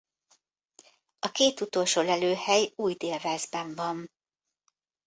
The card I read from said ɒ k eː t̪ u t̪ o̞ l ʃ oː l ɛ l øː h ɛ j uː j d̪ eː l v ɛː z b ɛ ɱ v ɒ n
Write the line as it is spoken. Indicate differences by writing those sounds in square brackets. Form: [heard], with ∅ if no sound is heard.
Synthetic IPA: ɒ k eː t̪ u t̪ o̞ l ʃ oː l ɛ l øː h ɛ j uː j d̪ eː l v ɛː z b ɛ ɱ v ɒ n